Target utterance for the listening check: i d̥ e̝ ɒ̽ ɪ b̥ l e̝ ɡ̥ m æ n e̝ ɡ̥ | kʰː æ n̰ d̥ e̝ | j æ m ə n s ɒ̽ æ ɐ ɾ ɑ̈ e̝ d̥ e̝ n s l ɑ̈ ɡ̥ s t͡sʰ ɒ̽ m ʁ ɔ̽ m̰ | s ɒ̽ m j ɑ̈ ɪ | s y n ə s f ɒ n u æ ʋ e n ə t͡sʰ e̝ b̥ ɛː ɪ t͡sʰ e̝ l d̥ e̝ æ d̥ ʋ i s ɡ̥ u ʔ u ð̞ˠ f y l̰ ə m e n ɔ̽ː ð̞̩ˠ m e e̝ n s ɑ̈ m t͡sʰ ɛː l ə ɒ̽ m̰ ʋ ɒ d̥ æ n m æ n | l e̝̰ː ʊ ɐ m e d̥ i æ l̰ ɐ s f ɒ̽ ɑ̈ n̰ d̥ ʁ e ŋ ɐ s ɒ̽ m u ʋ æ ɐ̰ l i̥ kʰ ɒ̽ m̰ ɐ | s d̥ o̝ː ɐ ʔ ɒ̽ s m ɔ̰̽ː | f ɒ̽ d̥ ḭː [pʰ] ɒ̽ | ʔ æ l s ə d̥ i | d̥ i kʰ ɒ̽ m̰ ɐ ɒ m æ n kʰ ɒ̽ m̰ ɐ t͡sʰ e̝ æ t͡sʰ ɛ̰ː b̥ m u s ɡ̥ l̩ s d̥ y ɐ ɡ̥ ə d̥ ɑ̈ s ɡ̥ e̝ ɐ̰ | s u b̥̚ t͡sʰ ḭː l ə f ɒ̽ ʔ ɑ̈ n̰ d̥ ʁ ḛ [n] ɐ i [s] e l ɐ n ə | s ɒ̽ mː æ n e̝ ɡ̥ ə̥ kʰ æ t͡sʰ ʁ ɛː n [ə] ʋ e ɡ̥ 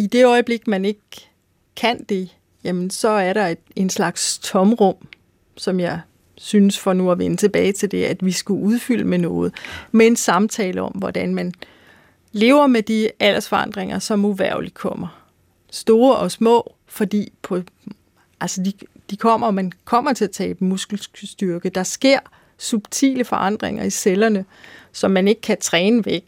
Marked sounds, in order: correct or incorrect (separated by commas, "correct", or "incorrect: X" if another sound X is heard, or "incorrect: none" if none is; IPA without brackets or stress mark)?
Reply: correct, incorrect: ŋ, correct, correct